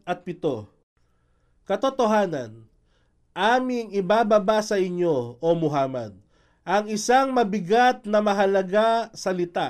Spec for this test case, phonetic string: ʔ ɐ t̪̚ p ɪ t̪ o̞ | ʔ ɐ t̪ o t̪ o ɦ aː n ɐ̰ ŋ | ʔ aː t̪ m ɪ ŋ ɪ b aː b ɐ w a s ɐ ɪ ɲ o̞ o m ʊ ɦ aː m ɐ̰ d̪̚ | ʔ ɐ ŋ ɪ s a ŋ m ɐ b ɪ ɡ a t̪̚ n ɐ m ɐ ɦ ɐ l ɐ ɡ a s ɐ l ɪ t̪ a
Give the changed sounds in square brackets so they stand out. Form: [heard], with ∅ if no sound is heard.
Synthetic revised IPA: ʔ ɐ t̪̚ p ɪ t̪ o̞ | [k] ɐ t̪ o t̪ o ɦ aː n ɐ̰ [n] | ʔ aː [∅] m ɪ ŋ ɪ b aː b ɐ [b] a s ɐ ɪ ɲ o̞ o m ʊ ɦ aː m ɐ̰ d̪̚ | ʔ ɐ ŋ ɪ s a ŋ m ɐ b ɪ ɡ a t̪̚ n ɐ m ɐ ɦ ɐ l ɐ ɡ a s ɐ l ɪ t̪ a